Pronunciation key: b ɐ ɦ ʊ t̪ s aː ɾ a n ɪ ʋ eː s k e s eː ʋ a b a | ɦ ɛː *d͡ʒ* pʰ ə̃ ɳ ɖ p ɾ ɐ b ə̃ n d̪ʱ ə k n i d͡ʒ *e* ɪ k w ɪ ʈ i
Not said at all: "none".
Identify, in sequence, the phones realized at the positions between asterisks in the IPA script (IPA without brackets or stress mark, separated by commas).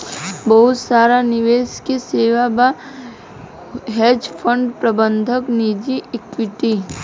d͡ʒ, i